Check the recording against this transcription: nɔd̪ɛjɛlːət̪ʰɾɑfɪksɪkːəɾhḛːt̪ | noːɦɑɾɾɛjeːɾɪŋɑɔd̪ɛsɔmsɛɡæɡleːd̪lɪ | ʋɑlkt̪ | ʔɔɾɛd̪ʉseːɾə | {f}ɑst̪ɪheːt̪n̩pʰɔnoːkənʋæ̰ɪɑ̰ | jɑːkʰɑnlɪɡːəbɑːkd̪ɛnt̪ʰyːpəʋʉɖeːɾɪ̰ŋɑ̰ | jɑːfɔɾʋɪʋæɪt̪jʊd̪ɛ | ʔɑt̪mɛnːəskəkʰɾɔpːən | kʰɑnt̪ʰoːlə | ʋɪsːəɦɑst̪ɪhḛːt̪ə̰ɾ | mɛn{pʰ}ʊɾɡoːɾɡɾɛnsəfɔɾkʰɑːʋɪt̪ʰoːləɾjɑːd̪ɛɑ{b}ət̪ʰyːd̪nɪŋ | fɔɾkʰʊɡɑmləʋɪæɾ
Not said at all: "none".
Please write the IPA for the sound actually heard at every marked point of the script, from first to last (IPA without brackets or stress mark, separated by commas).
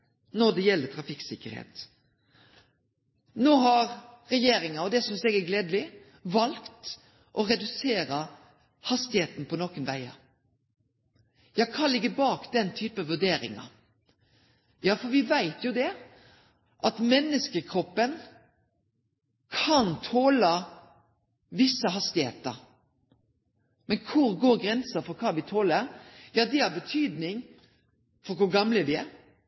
h, kʰ, b